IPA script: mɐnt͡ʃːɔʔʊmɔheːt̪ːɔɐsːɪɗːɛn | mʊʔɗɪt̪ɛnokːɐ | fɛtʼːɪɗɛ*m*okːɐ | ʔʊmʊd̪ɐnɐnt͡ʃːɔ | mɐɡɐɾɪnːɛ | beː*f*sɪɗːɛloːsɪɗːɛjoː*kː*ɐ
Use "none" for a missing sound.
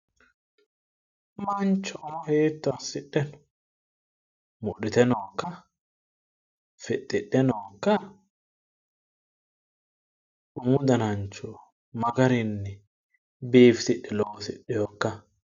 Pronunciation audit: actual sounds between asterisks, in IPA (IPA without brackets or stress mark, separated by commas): n, f, kː